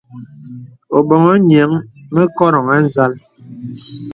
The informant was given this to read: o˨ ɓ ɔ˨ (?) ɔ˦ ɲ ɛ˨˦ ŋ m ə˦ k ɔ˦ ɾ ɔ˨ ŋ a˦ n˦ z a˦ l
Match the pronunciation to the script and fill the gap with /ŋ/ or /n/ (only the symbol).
ŋ